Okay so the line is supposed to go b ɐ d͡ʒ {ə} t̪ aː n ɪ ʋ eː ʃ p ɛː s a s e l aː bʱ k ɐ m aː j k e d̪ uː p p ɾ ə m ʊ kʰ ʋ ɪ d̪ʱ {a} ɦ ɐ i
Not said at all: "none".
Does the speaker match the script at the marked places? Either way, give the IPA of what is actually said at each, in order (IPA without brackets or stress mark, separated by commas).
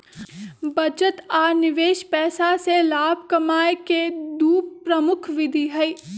ə, i